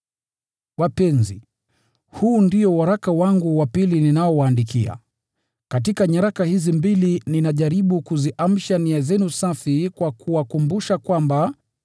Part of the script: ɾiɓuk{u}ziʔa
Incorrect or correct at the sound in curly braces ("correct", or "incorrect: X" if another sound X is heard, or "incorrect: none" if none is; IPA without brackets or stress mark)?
correct